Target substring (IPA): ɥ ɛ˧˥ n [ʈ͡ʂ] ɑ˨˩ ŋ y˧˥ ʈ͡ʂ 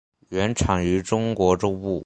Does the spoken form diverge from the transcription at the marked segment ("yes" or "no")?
yes